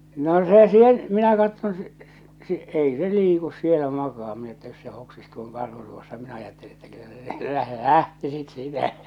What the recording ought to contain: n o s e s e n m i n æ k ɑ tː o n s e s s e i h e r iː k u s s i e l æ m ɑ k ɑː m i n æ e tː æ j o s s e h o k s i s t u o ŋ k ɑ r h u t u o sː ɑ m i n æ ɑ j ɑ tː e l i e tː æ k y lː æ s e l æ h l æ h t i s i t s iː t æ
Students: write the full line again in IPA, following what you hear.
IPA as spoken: n o s e s e n m i n æ k ɑ tː o n s e s s e i s e l iː k u s s i e l æ m ɑ k ɑː m i n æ e tː æ j o s s e h o k s i s t u o ŋ k ɑ r h u t u o sː ɑ m i n æ ɑ j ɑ tː e l i e tː æ k y lː æ s e l æ h l æ h t i s i t s iː t æ